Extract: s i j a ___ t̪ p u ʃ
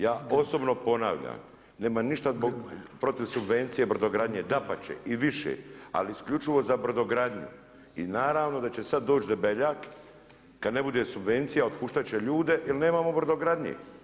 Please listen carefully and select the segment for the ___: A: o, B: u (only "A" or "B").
A